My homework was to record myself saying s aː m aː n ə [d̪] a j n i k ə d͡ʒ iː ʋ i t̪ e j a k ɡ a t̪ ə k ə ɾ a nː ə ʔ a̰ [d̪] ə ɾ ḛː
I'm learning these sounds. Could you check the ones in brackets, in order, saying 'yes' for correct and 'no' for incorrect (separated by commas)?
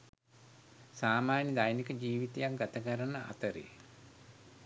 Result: yes, no